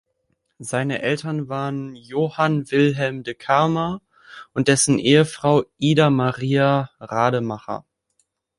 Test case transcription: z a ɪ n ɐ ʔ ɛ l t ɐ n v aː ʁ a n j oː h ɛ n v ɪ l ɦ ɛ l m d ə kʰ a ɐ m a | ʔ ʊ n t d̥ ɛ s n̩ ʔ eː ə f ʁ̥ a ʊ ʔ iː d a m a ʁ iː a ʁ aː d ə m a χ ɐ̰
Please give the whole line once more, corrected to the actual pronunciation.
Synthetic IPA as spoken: z a ɪ n ə ʔ ɛ l t ɐ n v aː ʁ ə n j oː h a n v ɪ l ɦ ɛ l m d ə kʰ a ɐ m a | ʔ ʊ n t d̥ ɛ s n̩ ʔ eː ə f ʁ̥ a ʊ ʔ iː d a m a ʁ iː a ʁ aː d ə m a χ ɐ̰